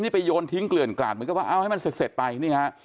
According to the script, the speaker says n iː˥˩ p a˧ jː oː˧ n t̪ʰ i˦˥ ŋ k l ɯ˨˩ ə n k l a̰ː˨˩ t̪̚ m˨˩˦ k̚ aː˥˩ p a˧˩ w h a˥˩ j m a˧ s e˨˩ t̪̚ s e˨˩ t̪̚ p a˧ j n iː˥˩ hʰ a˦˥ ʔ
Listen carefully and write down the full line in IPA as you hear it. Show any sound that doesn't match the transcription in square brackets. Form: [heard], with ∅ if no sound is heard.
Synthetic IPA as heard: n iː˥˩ p a˧ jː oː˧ n t̪ʰ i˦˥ ŋ k l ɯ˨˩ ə n k l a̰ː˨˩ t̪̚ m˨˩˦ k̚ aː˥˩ [ʔ] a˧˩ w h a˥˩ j m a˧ s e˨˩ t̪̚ s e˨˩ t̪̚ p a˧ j n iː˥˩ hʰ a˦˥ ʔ